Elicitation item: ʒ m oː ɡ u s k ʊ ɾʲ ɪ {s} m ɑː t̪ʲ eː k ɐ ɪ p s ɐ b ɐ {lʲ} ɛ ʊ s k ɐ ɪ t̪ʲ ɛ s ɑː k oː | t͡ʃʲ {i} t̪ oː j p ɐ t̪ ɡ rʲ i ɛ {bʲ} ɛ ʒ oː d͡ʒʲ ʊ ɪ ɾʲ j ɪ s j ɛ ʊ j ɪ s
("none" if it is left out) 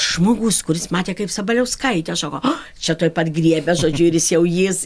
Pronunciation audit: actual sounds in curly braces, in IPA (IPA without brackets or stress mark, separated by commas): s, lʲ, ɛ, bʲ